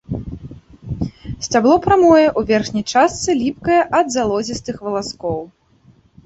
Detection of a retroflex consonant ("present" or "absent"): present